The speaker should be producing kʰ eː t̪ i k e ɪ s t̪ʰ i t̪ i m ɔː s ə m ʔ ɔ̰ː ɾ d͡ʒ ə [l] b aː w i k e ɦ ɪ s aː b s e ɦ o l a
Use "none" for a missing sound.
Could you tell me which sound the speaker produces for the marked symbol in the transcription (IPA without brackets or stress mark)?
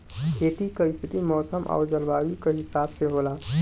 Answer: l